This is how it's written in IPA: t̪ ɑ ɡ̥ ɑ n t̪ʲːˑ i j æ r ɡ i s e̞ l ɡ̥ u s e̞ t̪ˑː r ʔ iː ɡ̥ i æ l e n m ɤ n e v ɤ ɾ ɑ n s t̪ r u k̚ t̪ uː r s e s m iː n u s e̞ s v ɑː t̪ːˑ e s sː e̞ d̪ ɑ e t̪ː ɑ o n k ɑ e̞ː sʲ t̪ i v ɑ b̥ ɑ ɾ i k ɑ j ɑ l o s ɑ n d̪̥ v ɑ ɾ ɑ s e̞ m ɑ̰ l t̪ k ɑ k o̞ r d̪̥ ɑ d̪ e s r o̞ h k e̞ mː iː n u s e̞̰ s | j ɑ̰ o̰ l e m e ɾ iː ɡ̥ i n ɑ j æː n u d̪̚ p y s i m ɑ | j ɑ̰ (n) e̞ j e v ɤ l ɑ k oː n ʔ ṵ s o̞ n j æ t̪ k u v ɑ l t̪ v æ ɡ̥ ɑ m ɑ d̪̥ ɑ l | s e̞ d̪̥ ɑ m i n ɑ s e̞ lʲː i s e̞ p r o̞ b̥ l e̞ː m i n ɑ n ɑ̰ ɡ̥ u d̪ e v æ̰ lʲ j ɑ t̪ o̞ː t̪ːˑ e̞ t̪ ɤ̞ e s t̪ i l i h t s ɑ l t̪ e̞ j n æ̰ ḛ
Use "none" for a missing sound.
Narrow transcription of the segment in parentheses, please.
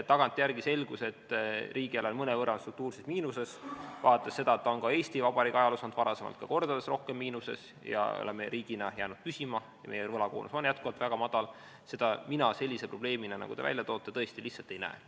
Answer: m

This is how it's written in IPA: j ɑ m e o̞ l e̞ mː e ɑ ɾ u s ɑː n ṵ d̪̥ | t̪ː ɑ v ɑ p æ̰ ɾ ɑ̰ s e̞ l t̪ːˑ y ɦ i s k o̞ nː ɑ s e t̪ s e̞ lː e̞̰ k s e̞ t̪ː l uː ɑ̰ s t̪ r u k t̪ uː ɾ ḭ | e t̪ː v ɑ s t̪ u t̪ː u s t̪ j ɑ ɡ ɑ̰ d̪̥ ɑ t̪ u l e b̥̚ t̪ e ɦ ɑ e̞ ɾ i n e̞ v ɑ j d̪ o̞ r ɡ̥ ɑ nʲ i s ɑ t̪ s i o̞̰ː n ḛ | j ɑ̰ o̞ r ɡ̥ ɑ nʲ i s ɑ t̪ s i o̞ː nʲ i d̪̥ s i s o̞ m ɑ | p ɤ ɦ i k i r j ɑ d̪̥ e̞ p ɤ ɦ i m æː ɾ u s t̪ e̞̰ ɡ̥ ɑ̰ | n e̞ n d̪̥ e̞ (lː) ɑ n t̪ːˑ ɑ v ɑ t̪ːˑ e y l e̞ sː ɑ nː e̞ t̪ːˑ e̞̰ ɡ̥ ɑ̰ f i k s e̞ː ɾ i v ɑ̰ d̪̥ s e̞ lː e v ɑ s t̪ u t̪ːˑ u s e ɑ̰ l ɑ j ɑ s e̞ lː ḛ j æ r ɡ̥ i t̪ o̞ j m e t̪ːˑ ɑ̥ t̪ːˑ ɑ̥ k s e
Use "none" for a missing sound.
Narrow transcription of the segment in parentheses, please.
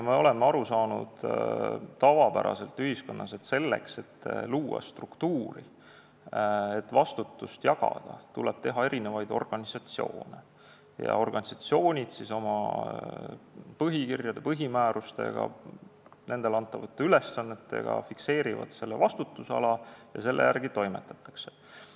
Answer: l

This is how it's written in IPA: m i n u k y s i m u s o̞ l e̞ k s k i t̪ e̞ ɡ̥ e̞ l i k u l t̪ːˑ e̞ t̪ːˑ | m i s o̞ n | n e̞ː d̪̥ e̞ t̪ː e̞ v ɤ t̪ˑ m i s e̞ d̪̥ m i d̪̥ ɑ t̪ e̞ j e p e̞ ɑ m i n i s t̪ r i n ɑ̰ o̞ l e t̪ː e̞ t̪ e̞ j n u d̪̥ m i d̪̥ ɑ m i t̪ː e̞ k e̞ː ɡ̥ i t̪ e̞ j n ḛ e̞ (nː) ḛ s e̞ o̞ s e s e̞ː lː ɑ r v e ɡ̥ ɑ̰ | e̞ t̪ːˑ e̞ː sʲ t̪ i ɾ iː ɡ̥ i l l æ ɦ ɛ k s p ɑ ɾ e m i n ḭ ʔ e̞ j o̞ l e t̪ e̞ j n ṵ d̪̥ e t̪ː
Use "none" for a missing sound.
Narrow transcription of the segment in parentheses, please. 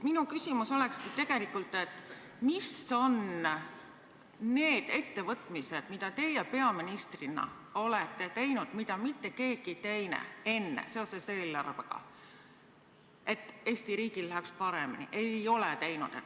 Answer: nː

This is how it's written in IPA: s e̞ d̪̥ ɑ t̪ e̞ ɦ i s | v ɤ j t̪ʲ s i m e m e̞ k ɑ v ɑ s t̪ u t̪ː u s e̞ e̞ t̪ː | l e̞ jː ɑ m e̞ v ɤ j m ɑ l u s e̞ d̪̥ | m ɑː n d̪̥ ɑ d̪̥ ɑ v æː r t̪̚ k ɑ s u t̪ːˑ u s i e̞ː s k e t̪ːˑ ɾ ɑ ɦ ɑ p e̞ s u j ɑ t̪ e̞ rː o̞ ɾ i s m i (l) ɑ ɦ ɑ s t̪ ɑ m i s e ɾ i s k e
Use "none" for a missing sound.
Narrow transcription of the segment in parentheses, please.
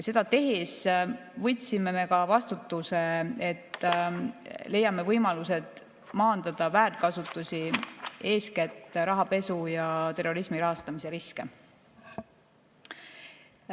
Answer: ɾ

